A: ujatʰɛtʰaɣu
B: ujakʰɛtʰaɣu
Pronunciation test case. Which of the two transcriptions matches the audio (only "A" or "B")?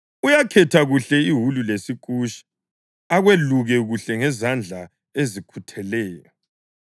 B